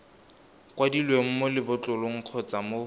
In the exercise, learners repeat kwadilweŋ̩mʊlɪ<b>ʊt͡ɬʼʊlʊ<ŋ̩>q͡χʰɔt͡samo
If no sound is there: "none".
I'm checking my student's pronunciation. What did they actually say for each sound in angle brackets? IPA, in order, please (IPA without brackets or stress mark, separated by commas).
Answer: b, ŋ̩